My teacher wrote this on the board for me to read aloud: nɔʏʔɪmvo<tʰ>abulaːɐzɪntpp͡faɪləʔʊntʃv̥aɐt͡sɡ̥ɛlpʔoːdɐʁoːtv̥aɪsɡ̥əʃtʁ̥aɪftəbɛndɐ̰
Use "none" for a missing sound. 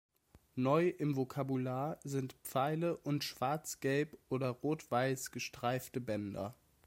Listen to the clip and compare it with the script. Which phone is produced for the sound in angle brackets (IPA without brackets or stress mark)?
kʰ